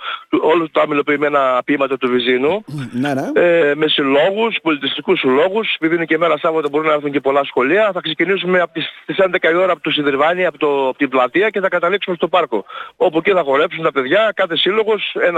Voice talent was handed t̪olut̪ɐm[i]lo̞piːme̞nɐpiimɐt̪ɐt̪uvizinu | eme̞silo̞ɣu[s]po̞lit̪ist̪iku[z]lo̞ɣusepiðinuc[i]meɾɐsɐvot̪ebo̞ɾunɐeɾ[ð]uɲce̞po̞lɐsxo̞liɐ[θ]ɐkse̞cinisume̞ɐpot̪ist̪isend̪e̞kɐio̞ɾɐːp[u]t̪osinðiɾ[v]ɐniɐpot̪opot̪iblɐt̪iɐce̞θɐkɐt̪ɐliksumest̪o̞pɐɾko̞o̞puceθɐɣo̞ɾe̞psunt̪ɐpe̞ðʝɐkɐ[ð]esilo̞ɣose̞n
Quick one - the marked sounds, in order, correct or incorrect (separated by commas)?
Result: correct, correct, incorrect, incorrect, incorrect, correct, incorrect, correct, incorrect